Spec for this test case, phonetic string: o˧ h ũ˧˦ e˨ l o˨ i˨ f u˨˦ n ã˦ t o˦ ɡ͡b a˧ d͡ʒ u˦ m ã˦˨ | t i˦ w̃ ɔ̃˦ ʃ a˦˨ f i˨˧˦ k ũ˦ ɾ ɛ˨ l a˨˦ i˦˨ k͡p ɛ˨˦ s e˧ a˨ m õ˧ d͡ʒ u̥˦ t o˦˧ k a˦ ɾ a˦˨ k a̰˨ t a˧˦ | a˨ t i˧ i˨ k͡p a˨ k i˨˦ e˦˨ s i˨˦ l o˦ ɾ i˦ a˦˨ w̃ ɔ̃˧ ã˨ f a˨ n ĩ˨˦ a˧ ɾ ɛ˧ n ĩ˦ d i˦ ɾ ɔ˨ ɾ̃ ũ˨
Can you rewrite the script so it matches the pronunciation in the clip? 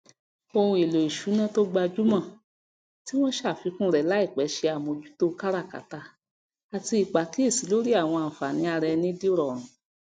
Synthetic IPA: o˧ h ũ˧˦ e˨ l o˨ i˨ ʃ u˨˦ n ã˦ t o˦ ɡ͡b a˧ d͡ʒ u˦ m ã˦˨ | t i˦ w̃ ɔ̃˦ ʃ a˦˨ f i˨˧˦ k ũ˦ ɾ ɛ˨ l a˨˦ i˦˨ k͡p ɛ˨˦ ʃ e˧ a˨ m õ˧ d͡ʒ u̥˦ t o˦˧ k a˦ ɾ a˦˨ k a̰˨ t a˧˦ | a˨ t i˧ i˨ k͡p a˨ k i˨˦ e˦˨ s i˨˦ l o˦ ɾ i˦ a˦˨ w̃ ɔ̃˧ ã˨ f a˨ n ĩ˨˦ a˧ ɾ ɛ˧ n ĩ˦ d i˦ ɾ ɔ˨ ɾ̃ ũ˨

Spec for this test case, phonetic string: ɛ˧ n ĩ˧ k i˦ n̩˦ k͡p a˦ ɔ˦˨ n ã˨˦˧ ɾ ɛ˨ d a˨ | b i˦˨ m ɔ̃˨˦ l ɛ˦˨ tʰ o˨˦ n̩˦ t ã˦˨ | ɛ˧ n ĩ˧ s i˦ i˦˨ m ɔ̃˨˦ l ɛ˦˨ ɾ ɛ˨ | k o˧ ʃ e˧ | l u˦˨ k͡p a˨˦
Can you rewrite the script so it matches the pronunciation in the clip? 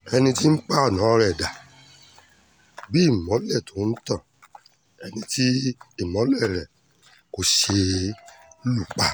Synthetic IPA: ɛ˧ n ĩ˧ t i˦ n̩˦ k͡p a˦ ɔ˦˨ n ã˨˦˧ ɾ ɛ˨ d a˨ | b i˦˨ m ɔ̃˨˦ l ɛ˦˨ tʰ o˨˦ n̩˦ t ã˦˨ | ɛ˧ n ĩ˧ t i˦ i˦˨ m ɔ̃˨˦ l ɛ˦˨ ɾ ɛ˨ | k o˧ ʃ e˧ | l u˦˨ k͡p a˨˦

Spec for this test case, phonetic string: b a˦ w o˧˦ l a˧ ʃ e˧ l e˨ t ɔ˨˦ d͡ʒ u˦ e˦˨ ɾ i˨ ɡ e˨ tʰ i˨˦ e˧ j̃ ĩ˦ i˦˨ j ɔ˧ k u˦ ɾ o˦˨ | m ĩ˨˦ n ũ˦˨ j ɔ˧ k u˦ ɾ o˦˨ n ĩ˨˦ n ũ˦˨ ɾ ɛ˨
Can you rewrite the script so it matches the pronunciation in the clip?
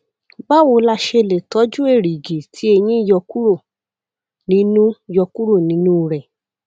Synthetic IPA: b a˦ w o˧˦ l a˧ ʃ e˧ l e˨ t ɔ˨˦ d͡ʒ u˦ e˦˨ ɾ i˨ ɡ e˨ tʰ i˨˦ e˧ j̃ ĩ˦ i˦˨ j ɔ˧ k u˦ ɾ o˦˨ | n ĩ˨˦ n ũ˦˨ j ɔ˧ k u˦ ɾ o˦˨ n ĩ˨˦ n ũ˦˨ ɾ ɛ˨

